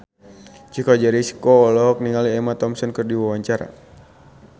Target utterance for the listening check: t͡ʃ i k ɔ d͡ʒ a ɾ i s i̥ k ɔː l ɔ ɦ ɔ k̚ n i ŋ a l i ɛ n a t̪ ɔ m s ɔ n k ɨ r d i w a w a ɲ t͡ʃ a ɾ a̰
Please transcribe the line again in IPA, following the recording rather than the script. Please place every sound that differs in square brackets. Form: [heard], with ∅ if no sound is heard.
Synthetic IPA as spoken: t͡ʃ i k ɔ d͡ʒ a ɾ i s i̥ k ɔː l ɔ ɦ ɔ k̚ n i ŋ a l i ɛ [m] a t̪ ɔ m s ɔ n k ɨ r d i w a w a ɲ t͡ʃ a ɾ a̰